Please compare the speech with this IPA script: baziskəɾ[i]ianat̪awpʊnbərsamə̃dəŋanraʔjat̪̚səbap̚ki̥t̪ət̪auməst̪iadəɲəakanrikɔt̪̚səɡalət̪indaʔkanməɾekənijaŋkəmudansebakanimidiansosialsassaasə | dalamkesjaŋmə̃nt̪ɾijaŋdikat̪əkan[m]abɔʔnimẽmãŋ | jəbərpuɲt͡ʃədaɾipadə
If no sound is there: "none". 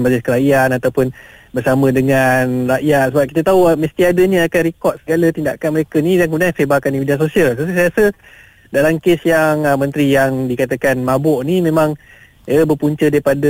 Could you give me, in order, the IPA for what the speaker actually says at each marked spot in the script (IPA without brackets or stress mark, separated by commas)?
a, m